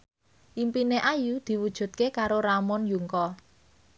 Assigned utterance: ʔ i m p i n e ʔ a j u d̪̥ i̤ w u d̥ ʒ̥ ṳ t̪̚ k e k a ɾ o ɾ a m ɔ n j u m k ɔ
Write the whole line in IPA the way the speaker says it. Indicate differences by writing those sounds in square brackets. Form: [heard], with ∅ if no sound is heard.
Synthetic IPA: ʔ i m p i n e ʔ a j u d̪̥ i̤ w u d̥ ʒ̥ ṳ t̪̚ k e k a ɾ o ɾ a m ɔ n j u [ŋ] k ɔ